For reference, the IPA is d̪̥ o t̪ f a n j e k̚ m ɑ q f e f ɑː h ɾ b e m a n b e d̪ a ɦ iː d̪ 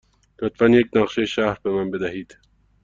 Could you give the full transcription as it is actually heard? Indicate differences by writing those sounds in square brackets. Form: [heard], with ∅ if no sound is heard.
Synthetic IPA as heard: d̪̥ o t̪ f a n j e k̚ [n] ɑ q [ʃ] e [ʃ] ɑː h ɾ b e m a n b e d̪ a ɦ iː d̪